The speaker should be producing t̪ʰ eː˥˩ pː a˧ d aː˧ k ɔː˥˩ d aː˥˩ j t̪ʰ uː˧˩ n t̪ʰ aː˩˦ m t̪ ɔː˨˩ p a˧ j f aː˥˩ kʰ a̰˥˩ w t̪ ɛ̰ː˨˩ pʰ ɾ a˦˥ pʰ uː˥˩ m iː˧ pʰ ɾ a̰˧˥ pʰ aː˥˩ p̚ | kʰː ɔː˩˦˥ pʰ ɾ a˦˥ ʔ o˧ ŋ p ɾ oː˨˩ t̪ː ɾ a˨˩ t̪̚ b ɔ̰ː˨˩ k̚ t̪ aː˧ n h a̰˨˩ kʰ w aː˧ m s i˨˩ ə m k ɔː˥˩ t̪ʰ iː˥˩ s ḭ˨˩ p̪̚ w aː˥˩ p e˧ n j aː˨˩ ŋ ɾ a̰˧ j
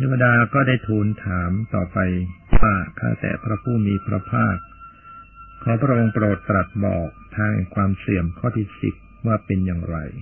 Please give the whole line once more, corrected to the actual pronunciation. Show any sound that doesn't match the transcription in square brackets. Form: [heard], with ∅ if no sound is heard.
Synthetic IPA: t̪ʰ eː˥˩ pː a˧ d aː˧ k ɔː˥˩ d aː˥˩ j t̪ʰ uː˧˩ n t̪ʰ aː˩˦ m t̪ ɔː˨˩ p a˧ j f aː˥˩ kʰ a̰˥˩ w t̪ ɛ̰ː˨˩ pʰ ɾ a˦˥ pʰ uː˥˩ m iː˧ pʰ ɾ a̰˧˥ pʰ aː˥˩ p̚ | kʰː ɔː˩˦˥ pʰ ɾ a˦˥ ʔ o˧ ŋ p ɾ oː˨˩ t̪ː ɾ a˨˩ t̪̚ b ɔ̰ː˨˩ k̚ [t̪ʰ] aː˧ [ŋ] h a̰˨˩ kʰ w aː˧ m s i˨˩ ə m [kʰ] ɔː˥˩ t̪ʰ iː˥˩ s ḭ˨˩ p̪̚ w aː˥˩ p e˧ n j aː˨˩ ŋ ɾ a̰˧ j